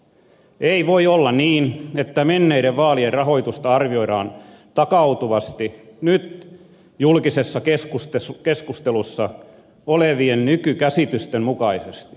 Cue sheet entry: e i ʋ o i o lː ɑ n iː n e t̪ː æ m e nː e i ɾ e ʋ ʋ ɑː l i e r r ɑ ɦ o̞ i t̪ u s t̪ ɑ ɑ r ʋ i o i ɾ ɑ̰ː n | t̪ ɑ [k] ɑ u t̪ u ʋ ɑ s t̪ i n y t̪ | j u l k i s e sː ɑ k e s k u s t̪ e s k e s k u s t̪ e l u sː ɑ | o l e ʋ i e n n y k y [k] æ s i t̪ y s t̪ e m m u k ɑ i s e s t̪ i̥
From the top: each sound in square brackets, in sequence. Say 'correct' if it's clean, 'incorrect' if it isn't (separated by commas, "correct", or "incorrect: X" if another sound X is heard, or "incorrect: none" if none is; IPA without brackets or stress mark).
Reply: correct, correct